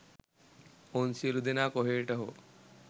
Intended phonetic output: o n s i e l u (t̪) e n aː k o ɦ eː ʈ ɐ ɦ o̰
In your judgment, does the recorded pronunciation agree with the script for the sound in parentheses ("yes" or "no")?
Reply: no